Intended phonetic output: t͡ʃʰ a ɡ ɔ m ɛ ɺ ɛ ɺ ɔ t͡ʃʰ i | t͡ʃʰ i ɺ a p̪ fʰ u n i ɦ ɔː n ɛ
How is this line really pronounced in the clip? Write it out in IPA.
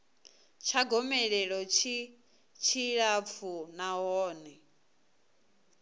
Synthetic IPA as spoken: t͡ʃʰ a ɡ ɔ m ɛ ɺ ɛ ɺ ɔ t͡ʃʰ i | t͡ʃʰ i ɺ a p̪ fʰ u n a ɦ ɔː n ɛ